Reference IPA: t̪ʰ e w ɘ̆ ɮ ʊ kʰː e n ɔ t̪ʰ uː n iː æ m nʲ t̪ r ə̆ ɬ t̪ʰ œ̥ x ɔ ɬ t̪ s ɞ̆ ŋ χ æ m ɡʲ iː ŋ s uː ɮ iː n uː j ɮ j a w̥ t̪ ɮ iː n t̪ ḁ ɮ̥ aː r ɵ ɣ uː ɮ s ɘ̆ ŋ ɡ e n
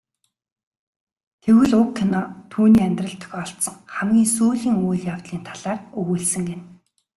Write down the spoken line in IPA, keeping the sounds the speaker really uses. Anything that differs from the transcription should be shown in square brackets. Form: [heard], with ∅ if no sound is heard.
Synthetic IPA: t̪ʰ e w ɘ̆ ɮ ʊ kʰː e n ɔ t̪ʰ uː n iː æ m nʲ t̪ r ə̆ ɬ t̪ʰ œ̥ x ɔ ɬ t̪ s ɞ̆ ŋ χ æ m ɡʲ iː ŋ s uː ɮ iː [ŋ] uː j ɮ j a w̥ t̪ ɮ iː n [t̪ʰ] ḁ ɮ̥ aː r ɵ ɣ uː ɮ s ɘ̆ ŋ ɡ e n